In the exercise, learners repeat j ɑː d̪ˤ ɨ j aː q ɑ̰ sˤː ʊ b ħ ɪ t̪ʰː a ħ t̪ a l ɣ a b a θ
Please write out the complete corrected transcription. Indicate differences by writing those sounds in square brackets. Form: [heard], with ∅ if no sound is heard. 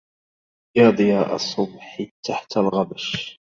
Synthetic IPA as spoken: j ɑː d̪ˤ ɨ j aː [ʔ] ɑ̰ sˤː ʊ b ħ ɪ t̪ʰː a ħ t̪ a l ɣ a b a [ʃ]